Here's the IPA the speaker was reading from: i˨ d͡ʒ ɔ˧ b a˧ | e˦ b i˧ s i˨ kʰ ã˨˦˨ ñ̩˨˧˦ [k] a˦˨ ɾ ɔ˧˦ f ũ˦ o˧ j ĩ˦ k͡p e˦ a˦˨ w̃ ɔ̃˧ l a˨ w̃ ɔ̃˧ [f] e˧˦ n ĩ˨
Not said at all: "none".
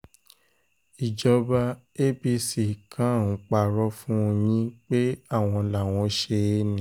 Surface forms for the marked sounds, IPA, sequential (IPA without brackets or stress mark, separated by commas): k͡p, ʃ